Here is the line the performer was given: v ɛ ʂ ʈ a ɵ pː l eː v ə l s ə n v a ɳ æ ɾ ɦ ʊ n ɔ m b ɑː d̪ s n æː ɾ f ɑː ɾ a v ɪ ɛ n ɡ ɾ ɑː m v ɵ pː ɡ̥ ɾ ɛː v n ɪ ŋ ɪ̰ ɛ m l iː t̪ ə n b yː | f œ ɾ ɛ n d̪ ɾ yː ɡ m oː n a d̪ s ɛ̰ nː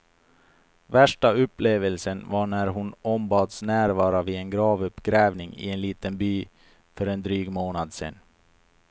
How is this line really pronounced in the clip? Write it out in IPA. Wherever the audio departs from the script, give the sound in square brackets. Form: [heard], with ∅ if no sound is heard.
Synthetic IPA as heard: v [æ] ʂ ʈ a ɵ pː l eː v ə l s ə n v a ɳ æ ɾ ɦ ʊ n ɔ m b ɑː d̪ s n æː ɾ [v] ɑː ɾ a v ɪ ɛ n ɡ ɾ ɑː [∅] v ɵ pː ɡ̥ ɾ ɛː v n ɪ ŋ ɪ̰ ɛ [n] l iː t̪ ə n b yː | f œ ɾ ɛ n d̪ ɾ yː ɡ m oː n a d̪ s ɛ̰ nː

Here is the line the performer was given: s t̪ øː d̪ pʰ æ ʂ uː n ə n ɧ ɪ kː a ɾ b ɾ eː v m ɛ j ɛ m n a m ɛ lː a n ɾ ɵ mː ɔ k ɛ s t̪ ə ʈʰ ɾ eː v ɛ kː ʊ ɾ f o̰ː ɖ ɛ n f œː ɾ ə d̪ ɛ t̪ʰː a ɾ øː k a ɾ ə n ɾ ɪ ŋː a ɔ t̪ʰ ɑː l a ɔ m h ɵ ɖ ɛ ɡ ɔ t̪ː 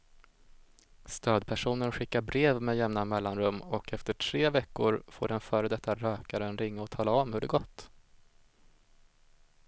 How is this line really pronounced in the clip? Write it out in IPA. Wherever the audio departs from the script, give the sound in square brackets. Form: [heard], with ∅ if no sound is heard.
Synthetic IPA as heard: s t̪ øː d̪ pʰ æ ʂ uː n ə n ɧ ɪ kː a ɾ b ɾ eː v m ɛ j ɛ m n a m ɛ lː a n ɾ ɵ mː ɔ k ɛ [f] t̪ ə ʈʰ ɾ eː v ɛ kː ʊ ɾ f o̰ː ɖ ɛ n f œː ɾ ə d̪ ɛ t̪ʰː a ɾ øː k a ɾ ə n ɾ ɪ ŋː a ɔ t̪ʰ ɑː l a ɔ m h ɵ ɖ ɛ ɡ ɔ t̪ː

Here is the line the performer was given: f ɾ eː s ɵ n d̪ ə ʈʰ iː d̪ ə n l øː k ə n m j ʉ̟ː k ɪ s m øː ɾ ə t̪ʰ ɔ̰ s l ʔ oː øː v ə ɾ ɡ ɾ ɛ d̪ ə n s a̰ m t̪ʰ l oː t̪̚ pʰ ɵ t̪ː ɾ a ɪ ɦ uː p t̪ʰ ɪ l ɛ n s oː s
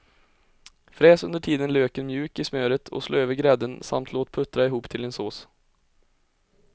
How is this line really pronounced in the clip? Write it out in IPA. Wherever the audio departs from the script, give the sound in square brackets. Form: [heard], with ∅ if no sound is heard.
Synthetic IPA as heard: f ɾ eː s ɵ n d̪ ə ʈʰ iː d̪ ə n l øː k ə n m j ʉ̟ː k ɪ s m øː ɾ ə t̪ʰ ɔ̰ s l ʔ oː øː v ə ɾ ɡ ɾ ɛ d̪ ə n s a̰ m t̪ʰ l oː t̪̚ pʰ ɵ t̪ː ɾ a ɪ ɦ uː p t̪ʰ ɪ l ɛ n s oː s

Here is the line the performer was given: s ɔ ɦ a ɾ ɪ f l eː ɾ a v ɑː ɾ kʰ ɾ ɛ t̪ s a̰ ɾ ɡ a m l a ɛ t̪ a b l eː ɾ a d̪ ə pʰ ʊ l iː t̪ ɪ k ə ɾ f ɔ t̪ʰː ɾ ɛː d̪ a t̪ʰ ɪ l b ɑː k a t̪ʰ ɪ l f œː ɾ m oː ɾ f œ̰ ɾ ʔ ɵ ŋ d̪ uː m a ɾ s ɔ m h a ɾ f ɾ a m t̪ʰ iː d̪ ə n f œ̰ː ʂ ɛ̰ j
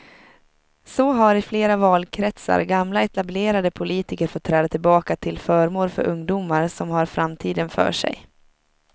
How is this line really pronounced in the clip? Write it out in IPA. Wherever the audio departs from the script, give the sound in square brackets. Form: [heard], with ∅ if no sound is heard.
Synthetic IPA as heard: s ɔ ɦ a ɾ ɪ f l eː ɾ a v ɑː [l] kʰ ɾ ɛ t̪ s a̰ ɾ ɡ a m l a ɛ t̪ a b l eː ɾ a d̪ ə pʰ ʊ l iː t̪ ɪ k ə ɾ f ɔ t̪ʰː ɾ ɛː d̪ a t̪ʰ ɪ l b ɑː k a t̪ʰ ɪ l f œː ɾ m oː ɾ f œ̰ ɾ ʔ ɵ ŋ d̪ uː m a ɾ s ɔ m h a ɾ f ɾ a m t̪ʰ iː d̪ ə n f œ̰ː ʂ ɛ̰ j

